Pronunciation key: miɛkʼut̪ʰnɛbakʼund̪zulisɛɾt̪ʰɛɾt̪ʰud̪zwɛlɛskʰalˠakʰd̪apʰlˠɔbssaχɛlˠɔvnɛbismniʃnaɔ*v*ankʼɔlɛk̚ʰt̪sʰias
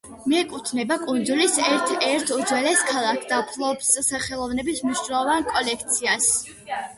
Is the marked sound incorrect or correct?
correct